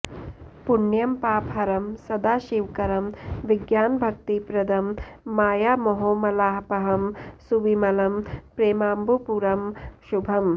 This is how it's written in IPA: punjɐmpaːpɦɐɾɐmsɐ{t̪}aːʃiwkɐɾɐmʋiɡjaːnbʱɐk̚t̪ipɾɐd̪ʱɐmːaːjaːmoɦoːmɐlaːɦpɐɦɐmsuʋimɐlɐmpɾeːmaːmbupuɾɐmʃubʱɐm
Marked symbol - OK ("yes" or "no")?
no